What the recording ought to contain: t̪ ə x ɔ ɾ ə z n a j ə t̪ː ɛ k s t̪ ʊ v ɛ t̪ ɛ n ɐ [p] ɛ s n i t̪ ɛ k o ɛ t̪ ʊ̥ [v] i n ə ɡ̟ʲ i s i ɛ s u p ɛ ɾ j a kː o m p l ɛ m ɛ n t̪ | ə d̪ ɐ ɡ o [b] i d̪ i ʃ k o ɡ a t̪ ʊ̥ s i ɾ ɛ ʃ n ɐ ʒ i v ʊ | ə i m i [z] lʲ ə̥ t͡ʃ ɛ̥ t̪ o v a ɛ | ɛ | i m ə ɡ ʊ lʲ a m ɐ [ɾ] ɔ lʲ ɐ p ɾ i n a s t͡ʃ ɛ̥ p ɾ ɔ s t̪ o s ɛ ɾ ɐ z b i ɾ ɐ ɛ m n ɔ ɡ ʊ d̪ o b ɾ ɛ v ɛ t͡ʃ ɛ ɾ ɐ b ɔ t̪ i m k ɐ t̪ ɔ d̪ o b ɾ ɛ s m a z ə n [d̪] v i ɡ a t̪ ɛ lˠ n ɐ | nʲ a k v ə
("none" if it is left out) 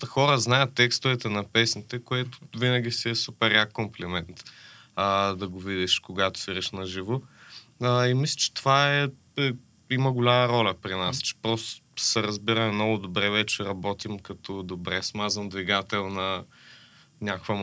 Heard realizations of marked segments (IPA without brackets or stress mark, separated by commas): p, v, v, s, ɾ, d̪